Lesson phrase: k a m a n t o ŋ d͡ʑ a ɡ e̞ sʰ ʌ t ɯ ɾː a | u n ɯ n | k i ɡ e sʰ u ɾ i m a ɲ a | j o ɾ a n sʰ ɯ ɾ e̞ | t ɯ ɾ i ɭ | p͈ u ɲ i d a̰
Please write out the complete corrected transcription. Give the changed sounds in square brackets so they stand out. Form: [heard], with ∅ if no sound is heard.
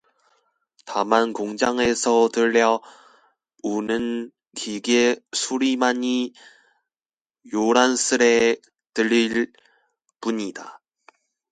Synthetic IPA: [t] a m a n [k] o ŋ d͡ʑ a [ŋ] e̞ sʰ ʌ t ɯ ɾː [ʌ] | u n ɯ n | k i ɡ e sʰ u ɾ i m a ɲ [i] | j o ɾ a n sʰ ɯ ɾ e̞ | t ɯ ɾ i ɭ | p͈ u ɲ i d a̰